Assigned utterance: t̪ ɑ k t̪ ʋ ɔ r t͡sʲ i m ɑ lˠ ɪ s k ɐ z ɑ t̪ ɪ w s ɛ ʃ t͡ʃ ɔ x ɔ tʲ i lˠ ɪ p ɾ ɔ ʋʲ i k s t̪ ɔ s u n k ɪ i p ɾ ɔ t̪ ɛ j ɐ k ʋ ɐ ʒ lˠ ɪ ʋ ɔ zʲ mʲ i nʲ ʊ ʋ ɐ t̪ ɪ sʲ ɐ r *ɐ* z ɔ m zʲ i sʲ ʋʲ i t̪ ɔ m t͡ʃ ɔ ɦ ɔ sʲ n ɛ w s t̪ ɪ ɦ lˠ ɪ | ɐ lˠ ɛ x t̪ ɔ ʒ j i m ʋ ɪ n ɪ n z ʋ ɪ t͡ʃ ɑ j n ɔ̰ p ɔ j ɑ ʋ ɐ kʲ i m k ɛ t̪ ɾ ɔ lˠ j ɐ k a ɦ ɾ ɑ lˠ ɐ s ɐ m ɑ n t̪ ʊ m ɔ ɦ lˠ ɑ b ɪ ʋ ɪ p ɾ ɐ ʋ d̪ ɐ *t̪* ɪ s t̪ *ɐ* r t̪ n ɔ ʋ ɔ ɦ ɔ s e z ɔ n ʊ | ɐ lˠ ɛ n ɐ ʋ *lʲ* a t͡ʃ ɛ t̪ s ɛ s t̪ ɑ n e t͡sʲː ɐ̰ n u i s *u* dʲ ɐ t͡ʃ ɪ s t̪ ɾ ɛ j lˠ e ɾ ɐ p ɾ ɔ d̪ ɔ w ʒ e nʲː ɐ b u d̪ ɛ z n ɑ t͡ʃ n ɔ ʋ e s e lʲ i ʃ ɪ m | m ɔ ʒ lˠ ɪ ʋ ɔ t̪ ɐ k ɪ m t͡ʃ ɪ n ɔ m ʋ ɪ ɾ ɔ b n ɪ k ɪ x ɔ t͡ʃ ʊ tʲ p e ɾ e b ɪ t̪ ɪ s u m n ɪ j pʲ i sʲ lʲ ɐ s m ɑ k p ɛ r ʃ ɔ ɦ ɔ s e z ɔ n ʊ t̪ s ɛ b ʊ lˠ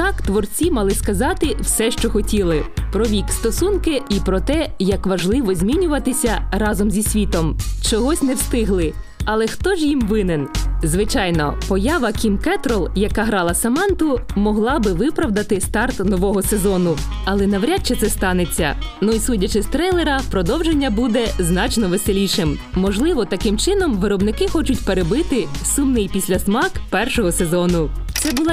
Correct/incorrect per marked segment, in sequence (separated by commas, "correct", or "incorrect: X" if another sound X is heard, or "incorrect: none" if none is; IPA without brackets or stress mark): incorrect: ɑ, correct, incorrect: ɑ, incorrect: ɾʲ, correct